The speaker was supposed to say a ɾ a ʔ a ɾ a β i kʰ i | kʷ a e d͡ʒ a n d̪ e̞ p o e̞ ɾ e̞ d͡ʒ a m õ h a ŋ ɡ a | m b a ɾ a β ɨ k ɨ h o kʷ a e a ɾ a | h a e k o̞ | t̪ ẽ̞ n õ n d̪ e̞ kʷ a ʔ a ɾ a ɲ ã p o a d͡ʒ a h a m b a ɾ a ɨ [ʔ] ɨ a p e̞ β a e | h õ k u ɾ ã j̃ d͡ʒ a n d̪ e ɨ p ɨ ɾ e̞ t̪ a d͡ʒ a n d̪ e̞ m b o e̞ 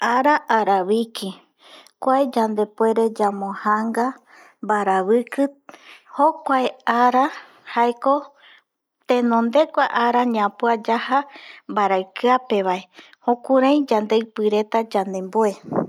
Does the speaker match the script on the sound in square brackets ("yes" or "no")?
no